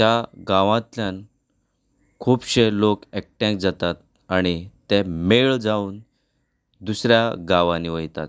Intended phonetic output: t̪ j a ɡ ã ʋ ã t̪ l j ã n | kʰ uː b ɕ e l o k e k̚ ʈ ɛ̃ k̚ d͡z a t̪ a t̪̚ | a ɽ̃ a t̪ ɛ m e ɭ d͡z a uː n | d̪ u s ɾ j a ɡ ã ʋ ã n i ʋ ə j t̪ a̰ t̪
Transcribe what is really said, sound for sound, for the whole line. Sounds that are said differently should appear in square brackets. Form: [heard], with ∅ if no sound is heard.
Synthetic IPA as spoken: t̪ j a ɡ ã ʋ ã t̪ l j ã n | kʰ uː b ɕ e l o k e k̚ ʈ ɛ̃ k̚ d͡z a t̪ a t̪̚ | a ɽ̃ [i] t̪ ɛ m e ɭ d͡z a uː n | d̪ u s ɾ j a ɡ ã ʋ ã n i ʋ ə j t̪ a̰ t̪